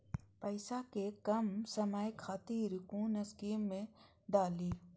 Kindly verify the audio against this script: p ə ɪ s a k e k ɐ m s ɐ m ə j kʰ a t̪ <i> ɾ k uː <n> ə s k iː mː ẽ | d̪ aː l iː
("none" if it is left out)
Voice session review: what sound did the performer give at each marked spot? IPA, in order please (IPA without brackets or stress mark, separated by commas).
iː, n